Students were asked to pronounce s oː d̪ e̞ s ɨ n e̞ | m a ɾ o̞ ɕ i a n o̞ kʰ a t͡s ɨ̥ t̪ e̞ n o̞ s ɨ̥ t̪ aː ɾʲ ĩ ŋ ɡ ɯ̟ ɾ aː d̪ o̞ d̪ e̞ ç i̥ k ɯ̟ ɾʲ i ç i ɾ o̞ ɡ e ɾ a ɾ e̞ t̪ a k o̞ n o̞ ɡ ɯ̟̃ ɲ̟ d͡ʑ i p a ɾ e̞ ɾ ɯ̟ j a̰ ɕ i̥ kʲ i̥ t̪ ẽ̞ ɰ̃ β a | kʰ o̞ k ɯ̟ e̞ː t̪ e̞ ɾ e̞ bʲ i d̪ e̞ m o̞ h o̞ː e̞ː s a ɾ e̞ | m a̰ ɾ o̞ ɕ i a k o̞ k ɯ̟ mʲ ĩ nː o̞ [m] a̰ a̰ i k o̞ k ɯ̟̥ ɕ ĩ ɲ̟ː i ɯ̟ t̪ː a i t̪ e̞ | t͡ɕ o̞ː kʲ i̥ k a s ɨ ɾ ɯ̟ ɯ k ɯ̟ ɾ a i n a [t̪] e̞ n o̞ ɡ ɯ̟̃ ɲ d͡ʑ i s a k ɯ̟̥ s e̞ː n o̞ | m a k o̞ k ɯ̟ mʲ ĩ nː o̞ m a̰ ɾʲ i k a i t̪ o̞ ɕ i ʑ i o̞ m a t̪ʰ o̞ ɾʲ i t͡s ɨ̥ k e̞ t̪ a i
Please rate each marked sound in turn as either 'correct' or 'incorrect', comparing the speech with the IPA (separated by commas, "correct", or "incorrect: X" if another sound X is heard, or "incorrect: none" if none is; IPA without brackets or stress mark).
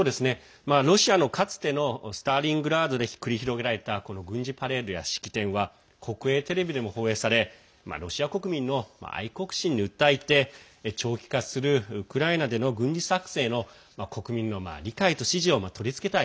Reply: correct, incorrect: d̪